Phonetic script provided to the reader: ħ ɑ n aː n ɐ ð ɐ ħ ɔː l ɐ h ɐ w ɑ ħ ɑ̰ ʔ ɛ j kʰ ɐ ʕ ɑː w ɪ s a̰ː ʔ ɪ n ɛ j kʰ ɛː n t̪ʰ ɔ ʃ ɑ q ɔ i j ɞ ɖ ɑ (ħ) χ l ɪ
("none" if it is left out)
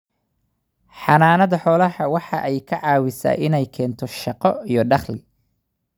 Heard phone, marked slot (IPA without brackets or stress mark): none